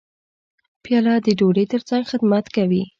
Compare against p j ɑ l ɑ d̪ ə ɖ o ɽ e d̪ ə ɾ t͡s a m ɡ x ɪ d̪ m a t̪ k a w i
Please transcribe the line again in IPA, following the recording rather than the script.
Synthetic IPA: p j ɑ l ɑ d̪ ə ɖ o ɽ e t̪ ə ɾ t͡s a ŋ ɡ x ɪ d̪ m a t̪ k a w i